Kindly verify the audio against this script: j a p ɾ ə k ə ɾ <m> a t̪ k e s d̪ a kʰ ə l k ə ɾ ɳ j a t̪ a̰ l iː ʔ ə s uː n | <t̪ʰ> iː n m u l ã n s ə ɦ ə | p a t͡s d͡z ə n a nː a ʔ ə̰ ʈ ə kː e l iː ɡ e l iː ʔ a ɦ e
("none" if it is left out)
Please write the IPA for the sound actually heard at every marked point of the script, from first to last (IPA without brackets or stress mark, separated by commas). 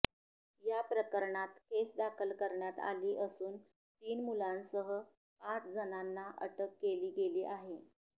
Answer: ɳ, t̪